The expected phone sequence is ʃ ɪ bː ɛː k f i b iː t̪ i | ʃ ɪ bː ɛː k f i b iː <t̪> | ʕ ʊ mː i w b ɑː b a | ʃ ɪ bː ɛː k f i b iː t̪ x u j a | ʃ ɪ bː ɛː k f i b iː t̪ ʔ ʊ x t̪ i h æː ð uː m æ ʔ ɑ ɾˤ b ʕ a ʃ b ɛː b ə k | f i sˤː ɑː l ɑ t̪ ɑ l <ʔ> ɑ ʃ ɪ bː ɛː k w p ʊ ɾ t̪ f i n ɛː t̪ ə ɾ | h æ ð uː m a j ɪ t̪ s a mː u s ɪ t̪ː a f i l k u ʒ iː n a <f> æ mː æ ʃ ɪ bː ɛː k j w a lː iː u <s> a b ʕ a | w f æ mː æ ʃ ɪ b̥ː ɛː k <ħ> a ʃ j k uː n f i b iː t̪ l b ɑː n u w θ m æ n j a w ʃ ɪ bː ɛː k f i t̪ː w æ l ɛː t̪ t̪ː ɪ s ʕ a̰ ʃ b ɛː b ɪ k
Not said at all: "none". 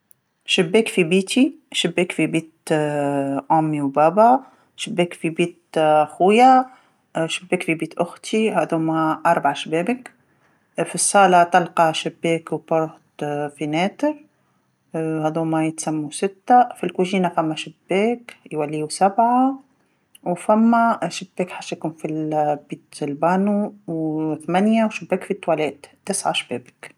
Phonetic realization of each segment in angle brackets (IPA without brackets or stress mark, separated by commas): t̪, q, f, s, ħ